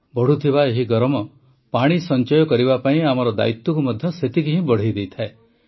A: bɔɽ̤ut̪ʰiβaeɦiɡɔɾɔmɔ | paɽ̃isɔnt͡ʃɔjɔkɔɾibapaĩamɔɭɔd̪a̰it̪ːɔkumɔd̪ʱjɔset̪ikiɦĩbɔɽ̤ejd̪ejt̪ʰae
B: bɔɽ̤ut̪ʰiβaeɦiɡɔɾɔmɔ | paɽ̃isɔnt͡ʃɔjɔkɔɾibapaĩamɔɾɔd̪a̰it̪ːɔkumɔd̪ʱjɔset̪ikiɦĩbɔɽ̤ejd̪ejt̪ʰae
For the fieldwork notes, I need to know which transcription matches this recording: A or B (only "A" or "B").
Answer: B